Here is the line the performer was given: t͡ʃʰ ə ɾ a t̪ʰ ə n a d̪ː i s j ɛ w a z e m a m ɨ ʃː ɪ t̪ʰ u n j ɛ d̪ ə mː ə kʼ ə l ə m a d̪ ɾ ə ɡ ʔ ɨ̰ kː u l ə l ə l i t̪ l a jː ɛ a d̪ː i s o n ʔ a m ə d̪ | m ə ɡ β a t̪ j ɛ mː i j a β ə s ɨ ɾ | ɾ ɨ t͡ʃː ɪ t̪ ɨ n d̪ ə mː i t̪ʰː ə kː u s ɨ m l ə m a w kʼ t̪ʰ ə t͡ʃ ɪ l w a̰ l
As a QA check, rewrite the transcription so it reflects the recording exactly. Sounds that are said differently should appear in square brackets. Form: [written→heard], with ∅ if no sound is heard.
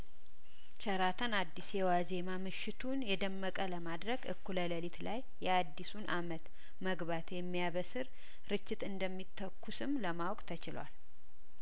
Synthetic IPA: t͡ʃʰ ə ɾ a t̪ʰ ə n a d̪ː i s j ɛ w a z e m a m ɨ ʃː ɪ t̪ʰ u n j ɛ d̪ ə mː ə kʼ ə l ə m a d̪ ɾ ə ɡ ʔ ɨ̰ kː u l ə l ə l i t̪ l a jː ɛ a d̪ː i s [o→u] n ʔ a m ə [d̪→t̪] | m ə ɡ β a t̪ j ɛ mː i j a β ə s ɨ ɾ | ɾ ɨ t͡ʃː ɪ t̪ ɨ n d̪ ə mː i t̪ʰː ə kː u s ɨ m l ə m a w kʼ t̪ʰ ə t͡ʃ ɪ l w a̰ l